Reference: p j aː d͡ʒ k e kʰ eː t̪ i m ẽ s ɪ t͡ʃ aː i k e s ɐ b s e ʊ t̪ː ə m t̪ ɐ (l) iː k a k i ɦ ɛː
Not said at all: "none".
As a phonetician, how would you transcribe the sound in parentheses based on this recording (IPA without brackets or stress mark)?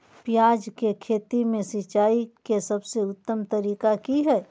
ɾ